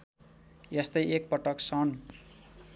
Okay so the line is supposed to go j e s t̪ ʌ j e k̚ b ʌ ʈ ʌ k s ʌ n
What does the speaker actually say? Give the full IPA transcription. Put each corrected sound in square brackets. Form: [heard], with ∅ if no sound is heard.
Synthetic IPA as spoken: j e s t̪ ʌ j e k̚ [p] ʌ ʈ ʌ k s ʌ n